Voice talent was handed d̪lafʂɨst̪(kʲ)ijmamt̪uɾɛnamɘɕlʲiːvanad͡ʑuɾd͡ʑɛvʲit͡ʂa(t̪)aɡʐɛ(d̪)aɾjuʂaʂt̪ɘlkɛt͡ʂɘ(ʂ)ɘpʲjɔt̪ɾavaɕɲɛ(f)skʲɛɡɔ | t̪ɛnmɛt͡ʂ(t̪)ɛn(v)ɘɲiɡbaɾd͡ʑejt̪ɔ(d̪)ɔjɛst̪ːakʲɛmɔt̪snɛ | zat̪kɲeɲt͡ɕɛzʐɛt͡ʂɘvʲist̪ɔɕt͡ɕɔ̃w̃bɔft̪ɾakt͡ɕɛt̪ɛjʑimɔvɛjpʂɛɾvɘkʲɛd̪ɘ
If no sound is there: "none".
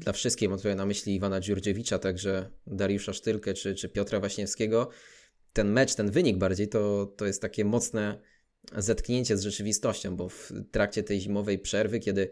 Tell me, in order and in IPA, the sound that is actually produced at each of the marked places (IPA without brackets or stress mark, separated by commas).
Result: kʲ, t̪, d̪, t͡ʂ, f, t̪, v, t̪